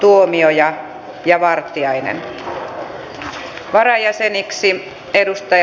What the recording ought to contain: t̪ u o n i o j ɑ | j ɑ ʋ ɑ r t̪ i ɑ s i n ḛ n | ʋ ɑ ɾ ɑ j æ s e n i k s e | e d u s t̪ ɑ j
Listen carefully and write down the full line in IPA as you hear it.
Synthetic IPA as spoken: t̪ u o m i o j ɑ | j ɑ ʋ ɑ r t̪ i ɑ i n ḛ n | ʋ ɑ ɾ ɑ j æ s e n i k s i | e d u s t̪ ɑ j